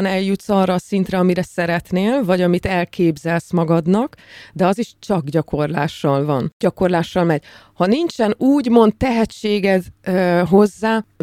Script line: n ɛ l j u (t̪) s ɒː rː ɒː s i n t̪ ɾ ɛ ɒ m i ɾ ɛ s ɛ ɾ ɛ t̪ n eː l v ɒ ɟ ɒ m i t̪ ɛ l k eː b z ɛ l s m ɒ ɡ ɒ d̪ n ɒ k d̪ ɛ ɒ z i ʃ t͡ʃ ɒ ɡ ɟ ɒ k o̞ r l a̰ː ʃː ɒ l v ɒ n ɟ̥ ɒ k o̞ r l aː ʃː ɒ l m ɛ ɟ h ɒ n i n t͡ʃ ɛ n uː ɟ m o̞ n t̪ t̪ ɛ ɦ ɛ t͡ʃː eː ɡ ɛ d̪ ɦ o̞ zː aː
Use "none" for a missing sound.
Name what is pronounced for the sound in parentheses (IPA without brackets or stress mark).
t̪